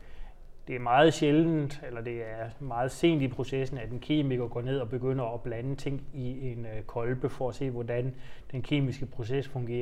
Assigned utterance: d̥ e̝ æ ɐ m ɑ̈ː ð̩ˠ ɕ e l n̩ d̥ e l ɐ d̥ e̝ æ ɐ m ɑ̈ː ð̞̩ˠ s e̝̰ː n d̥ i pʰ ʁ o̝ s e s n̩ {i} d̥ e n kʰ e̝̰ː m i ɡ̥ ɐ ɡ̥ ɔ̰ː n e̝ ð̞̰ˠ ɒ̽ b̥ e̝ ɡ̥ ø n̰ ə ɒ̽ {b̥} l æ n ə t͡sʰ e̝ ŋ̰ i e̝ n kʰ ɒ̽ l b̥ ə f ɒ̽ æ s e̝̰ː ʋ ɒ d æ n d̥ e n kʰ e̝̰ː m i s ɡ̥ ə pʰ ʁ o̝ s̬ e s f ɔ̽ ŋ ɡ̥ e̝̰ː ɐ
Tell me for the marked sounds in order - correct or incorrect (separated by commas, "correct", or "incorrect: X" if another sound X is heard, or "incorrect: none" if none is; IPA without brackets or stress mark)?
incorrect: æ, correct